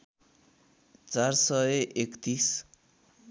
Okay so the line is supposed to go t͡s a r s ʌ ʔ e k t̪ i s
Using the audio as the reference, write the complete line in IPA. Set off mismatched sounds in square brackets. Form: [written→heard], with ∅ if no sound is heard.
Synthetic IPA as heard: t͡s a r s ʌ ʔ e k t̪ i s